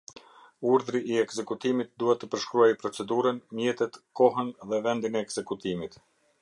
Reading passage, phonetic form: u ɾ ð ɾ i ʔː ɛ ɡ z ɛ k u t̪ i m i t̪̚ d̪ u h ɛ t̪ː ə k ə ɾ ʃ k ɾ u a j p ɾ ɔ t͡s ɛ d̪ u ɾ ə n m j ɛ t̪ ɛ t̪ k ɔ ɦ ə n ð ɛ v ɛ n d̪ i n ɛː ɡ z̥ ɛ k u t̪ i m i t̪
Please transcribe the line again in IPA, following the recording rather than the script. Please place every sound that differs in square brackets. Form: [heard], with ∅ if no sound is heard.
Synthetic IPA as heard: u ɾ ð ɾ i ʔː ɛ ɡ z ɛ k u t̪ i m i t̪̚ d̪ u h ɛ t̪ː ə [p] ə ɾ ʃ k ɾ u a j p ɾ ɔ t͡s ɛ d̪ u ɾ ə n m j ɛ t̪ ɛ t̪ k ɔ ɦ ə n ð ɛ v ɛ n d̪ i n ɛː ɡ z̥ ɛ k u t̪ i m i t̪